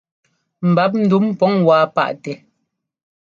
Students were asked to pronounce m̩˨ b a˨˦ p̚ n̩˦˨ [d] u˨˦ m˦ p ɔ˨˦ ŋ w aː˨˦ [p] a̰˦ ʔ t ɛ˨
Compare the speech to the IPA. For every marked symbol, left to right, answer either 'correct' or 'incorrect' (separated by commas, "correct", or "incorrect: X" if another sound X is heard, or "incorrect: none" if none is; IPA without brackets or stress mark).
correct, correct